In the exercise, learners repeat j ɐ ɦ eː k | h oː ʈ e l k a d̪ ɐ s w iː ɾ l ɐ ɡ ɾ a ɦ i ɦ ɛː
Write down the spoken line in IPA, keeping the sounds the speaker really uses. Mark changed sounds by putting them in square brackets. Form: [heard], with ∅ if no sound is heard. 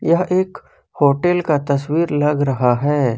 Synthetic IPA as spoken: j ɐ ɦ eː k | h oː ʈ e l k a [t̪] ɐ s w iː ɾ l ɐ ɡ ɾ [ɐ] ɦ [a] ɦ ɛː